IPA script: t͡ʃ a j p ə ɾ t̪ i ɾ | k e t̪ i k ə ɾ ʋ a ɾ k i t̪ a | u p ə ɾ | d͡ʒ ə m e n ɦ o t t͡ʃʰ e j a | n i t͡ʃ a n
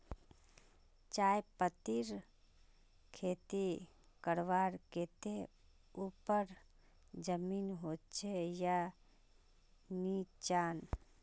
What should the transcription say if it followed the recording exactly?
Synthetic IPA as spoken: t͡ʃ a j p ə t̪ i ɾ | kʰ e t̪ i k ə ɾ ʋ a ɾ k e t̪ e | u p ə ɾ | d͡ʒ ə m i n ɦ o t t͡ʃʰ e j a | n i t͡ʃ a n